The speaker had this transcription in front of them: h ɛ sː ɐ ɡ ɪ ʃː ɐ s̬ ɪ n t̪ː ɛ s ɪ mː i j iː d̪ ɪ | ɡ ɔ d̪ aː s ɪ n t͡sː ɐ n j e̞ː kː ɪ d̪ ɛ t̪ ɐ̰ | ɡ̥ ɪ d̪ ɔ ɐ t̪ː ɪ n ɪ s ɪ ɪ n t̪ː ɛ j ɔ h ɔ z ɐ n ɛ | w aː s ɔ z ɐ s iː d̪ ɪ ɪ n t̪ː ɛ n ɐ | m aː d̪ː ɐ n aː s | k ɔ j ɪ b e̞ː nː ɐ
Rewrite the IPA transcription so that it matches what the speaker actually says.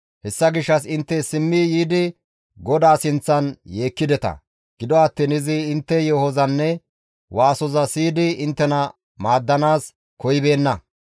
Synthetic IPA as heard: h ɛ sː ɐ ɡ ɪ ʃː ɐ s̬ ɪ n t̪ː ɛ s ɪ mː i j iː d̪ ɪ | ɡ ɔ d̪ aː s ɪ n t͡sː ɐ n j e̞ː kː ɪ d̪ ɛ t̪ ɐ̰ | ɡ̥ ɪ d̪ ɔ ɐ t̪ː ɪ n ɪ z ɪ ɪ n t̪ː ɛ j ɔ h ɔ z ɐ nː ɛ | w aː s ɔ z ɐ s iː d̪ ɪ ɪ n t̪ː ɛ n ɐ | m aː d̪ː ɐ n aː s | k ɔ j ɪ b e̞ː nː ɐ